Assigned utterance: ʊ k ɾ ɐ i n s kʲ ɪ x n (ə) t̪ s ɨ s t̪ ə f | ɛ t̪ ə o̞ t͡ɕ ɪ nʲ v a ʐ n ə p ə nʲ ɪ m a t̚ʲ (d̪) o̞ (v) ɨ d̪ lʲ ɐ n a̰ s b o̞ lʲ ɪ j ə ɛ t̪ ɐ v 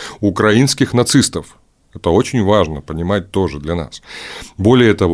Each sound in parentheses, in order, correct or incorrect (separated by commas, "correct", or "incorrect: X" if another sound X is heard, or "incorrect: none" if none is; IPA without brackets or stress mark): incorrect: ɐ, incorrect: t̪, incorrect: ʐ